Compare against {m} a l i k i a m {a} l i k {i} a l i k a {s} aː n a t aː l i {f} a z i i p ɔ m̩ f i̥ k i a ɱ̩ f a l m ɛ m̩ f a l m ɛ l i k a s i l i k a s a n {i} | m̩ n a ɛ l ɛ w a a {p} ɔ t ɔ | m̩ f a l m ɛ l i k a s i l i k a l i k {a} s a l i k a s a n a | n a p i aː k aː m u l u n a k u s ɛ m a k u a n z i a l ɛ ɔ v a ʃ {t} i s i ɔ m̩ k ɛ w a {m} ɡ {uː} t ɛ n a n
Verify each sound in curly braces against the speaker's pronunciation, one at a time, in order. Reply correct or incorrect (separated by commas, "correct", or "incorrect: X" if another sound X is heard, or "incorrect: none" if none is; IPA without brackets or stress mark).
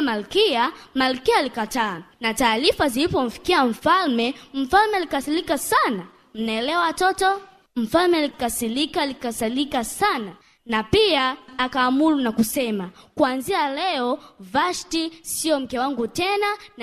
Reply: correct, correct, correct, incorrect: t, correct, incorrect: a, incorrect: t, correct, correct, incorrect: ŋ, incorrect: u